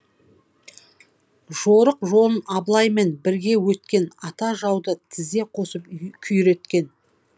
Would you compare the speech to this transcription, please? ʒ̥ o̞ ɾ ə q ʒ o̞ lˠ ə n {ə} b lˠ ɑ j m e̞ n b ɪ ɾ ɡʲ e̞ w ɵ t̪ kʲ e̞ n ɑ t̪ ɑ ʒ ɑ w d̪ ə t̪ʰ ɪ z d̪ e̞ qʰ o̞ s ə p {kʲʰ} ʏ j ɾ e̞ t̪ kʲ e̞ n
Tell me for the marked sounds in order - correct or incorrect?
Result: incorrect: ɑ, correct

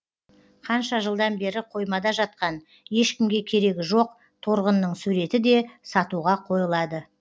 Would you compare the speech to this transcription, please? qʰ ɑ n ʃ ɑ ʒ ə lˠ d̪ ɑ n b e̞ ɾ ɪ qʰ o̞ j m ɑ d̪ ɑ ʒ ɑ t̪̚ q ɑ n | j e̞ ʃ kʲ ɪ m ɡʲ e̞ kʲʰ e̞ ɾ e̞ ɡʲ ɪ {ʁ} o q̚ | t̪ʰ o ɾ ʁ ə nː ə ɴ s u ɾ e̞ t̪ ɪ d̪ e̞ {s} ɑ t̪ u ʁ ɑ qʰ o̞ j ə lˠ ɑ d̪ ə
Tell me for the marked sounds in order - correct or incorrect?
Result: incorrect: ʒ, correct

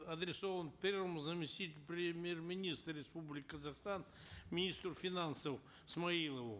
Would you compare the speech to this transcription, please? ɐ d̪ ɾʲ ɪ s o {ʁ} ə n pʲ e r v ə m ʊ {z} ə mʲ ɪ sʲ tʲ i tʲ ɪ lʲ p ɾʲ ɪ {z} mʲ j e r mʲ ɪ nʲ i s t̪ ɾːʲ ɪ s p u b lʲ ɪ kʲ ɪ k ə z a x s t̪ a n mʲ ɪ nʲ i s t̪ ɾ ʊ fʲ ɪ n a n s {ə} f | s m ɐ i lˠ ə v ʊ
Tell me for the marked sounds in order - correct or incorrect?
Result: incorrect: v, correct, incorrect: none, correct

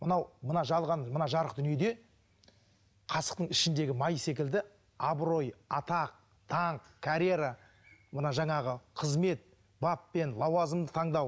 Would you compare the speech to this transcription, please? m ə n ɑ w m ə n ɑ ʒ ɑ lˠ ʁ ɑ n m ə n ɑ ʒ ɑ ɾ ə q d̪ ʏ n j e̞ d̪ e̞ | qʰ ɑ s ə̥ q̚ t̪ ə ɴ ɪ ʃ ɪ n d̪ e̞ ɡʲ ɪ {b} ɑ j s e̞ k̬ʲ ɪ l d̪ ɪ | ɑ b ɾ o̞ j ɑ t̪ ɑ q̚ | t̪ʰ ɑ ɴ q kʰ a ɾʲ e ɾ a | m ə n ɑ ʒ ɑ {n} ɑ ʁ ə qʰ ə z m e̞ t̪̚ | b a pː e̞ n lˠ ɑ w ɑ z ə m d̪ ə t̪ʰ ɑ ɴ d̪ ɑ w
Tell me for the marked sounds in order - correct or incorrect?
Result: incorrect: m, incorrect: ɴ

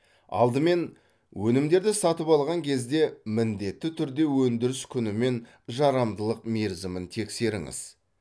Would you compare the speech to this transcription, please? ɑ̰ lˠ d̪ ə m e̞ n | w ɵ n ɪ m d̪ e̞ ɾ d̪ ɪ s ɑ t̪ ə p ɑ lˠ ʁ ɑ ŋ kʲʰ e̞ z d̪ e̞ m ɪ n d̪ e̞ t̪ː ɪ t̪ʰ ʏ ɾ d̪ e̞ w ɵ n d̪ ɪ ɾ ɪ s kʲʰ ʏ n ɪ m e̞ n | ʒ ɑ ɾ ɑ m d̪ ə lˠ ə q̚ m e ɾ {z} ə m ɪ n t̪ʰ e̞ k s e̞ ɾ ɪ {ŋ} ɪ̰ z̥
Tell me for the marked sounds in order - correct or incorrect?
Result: correct, correct

